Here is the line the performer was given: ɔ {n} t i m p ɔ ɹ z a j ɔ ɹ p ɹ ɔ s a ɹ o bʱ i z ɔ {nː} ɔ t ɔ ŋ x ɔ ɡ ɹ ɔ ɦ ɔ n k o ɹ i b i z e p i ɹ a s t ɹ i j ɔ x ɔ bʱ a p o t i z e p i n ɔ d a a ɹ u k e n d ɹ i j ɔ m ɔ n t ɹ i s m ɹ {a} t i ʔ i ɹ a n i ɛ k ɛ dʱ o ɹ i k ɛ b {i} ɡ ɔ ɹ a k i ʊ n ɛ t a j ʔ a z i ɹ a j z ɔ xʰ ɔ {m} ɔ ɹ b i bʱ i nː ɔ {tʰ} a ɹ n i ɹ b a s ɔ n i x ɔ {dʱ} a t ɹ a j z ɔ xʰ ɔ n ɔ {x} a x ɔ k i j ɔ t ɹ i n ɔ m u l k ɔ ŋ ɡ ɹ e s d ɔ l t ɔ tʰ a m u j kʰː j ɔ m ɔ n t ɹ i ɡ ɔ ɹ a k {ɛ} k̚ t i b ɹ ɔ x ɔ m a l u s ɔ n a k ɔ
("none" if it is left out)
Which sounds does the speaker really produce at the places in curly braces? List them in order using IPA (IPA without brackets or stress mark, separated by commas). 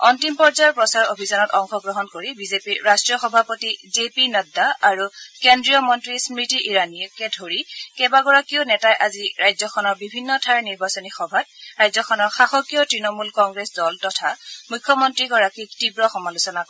n, n, i, a, n, tʰ, bʱ, x, i